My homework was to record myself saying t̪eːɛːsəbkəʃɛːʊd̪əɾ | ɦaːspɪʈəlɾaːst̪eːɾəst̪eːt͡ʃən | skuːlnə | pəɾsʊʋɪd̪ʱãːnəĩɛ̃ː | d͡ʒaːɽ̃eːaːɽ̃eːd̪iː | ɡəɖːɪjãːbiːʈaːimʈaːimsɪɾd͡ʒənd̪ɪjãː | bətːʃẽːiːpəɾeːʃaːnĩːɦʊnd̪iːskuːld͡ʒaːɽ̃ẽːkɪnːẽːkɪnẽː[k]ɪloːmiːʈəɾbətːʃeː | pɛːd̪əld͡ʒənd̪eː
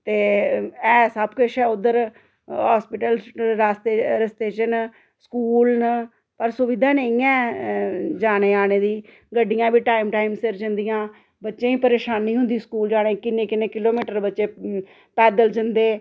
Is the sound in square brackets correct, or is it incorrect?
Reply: correct